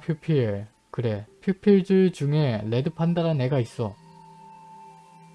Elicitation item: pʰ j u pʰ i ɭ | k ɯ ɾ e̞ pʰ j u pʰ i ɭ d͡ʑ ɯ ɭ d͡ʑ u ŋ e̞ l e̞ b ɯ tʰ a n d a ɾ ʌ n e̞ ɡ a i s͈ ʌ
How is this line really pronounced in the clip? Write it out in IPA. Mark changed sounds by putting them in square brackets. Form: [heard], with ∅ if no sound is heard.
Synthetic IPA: pʰ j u pʰ i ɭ | k ɯ ɾ e̞ pʰ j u pʰ i ɭ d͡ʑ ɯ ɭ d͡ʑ u ŋ e̞ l e̞ [d] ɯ [pʰ] a n d a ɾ [a] n e̞ ɡ a i s͈ ʌ